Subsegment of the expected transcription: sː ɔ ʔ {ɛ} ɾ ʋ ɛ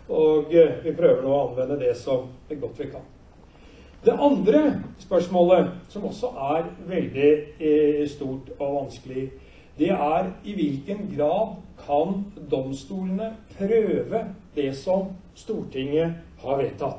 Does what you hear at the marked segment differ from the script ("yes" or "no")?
yes